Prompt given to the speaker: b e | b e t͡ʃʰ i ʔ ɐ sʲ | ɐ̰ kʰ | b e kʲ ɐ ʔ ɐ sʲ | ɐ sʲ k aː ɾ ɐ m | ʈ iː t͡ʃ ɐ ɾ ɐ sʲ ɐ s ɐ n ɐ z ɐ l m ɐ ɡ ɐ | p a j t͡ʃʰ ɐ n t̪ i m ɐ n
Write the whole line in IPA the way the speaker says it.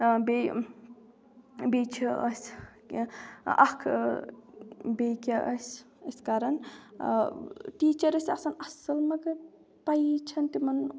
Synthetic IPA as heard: b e | b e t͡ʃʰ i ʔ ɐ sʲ | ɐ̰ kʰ | b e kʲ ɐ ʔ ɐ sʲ | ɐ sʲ k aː ɾ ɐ n | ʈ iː t͡ʃ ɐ ɾ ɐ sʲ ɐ s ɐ n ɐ s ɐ l m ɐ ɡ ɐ | p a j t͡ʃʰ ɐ n t̪ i m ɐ n